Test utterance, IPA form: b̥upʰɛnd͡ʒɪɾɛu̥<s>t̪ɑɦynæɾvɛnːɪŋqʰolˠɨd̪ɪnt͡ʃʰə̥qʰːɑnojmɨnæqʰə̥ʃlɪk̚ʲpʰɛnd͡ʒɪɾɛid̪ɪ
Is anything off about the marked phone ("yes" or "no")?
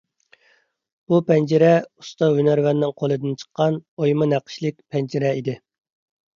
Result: no